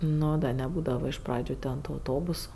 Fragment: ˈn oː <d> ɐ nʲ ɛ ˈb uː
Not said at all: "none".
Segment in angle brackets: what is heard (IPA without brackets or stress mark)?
d